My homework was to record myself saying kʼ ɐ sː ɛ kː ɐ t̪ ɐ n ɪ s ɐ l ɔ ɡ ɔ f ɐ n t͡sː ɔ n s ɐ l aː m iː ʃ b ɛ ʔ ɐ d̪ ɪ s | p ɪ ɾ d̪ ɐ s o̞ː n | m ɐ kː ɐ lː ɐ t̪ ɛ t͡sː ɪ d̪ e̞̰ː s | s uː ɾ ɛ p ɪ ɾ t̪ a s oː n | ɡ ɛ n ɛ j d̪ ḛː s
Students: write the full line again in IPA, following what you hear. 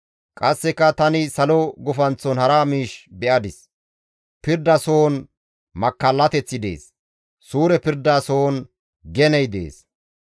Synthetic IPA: kʼ ɐ sː ɛ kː ɐ t̪ ɐ n ɪ s ɐ l ɔ ɡ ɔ f ɐ n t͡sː ɔ n h ɐ ɾ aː m iː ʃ b ɛ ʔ ɐ d̪ ɪ s | p ɪ ɾ d̪ ɐ s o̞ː n | m ɐ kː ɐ lː ɐ t̪ ɛ t͡sː ɪ d̪ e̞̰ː s | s uː ɾ ɛ p ɪ ɾ d̪ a s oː n | ɡ ɛ n ɛ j d̪ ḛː s

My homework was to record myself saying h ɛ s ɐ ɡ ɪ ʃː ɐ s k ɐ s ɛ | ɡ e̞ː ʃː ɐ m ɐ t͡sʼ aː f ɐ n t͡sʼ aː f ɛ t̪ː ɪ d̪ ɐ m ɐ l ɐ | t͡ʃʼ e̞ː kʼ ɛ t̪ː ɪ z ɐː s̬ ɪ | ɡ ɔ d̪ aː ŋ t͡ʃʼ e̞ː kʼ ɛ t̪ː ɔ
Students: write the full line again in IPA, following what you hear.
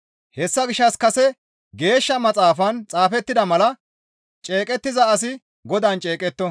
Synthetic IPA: h ɛ sː ɐ ɡ ɪ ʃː ɐ s k ɐ s ɛ | ɡ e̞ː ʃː ɐ m ɐ t͡sʼ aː f ɐ n t͡sʼ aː f ɛ t̪ː ɪ d̪ ɐ m ɐ l ɐ | t͡ʃʼ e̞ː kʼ ɛ t̪ː ɪ z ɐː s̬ ɪ | ɡ ɔ d̪ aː n t͡ʃʼ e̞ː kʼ ɛ t̪ː ɔ

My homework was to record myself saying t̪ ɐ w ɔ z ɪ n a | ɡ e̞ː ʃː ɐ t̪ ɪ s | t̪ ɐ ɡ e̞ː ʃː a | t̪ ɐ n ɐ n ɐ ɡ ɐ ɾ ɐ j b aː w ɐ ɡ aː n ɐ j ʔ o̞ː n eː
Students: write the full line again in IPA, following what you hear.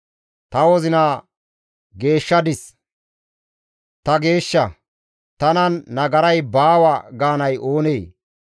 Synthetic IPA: t̪ ɐ w ɔ z ɪ n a | ɡ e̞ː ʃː ɐ d̪ ɪ s | t̪ ɐ ɡ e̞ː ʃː ɐ | t̪ ɐ n ɐ nː ɐ ɡ ɐ ɾ ɐ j b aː w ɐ ɡ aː n ɐ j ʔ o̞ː n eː

